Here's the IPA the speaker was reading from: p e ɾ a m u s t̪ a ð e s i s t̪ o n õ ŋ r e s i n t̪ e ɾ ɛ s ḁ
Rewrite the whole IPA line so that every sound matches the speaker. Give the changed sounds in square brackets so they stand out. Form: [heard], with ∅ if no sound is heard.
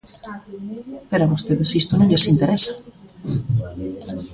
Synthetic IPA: p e ɾ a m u s t̪ [e] ð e s i s t̪ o n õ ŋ [ʎ] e s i n t̪ e ɾ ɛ s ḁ